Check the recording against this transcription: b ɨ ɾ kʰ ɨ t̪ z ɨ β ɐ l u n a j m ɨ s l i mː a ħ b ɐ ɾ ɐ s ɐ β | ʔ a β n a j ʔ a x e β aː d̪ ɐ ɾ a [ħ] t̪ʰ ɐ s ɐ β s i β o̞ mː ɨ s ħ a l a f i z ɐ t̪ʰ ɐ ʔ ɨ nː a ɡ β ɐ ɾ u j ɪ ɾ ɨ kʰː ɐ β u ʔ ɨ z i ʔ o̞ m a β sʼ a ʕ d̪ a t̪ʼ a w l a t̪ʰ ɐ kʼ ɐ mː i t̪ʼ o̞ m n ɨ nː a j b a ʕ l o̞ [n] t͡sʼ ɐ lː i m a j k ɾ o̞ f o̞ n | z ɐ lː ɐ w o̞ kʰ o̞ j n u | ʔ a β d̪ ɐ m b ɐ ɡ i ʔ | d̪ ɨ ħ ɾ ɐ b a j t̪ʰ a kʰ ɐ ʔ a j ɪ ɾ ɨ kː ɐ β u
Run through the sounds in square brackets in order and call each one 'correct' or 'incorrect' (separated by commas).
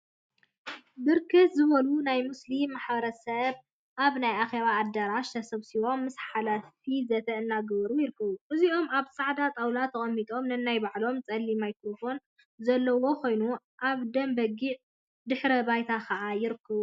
incorrect, incorrect